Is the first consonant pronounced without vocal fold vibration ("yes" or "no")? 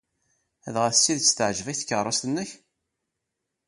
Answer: no